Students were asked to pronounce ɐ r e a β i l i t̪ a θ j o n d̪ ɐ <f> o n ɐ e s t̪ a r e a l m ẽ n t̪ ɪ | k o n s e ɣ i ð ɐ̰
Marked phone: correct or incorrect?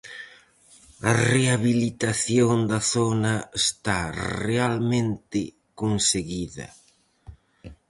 incorrect